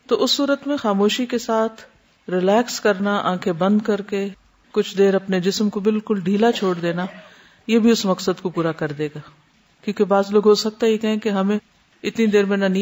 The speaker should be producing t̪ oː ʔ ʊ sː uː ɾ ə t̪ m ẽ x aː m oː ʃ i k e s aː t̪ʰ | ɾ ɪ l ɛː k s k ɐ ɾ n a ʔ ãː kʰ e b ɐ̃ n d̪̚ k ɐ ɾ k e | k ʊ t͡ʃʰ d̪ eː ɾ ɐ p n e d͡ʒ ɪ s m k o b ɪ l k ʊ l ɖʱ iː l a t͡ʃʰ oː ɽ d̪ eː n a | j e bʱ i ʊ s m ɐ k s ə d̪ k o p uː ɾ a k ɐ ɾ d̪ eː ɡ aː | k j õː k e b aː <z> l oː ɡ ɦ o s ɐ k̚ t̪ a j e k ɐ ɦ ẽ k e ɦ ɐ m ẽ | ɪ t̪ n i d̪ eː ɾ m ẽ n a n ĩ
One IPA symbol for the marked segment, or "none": z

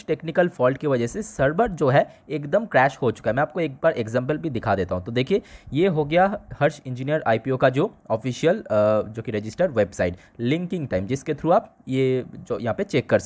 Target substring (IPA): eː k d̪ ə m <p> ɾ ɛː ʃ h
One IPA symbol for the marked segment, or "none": k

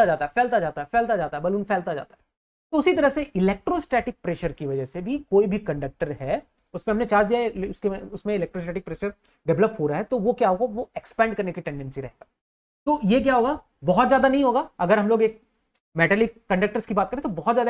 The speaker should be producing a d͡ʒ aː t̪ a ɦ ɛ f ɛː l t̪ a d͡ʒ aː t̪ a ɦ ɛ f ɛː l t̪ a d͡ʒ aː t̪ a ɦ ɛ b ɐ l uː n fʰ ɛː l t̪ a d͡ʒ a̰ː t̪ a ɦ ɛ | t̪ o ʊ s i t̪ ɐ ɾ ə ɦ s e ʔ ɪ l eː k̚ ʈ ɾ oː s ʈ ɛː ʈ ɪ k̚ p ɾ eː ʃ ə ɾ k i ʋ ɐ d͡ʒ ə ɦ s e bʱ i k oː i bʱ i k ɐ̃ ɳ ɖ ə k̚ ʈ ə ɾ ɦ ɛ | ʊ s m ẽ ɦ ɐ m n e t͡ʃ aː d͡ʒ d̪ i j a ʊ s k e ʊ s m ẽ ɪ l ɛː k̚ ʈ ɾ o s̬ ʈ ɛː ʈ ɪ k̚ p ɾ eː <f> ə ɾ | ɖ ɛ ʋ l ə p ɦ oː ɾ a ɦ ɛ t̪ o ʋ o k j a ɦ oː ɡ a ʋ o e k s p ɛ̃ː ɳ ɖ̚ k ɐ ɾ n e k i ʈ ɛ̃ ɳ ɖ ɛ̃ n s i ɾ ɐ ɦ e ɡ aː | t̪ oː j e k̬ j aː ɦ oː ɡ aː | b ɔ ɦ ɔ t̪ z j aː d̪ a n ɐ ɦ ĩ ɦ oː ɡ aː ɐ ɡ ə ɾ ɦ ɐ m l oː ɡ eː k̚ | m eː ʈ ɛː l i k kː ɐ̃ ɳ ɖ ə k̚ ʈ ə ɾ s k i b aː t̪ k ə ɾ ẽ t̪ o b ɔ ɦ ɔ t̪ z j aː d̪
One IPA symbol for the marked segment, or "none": ʃ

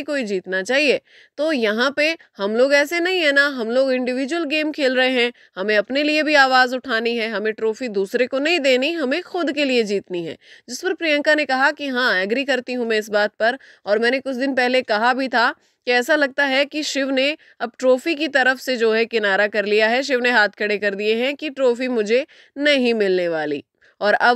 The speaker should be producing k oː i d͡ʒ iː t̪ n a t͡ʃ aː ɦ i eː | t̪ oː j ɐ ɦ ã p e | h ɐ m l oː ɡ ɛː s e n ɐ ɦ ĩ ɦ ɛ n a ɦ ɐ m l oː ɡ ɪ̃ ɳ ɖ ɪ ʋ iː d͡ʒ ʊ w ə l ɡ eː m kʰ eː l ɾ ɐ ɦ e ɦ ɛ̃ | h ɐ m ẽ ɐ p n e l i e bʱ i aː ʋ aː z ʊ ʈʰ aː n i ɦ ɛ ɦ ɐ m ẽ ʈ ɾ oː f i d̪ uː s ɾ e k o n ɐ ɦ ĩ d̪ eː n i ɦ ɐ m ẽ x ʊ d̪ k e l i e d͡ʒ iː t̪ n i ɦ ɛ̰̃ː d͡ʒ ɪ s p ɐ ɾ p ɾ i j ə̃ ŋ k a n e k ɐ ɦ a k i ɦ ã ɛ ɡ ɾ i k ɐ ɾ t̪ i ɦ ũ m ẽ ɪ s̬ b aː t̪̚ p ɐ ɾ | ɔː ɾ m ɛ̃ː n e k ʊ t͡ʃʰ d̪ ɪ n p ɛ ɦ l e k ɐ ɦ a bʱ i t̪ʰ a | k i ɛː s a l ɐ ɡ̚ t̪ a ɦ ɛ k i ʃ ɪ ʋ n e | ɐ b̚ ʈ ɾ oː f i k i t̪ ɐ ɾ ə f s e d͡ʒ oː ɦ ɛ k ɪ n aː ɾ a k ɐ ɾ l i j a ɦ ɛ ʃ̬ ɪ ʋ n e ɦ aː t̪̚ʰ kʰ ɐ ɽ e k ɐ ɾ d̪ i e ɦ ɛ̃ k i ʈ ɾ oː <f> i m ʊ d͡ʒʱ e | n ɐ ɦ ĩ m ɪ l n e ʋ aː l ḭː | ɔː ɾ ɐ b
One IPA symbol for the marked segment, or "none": f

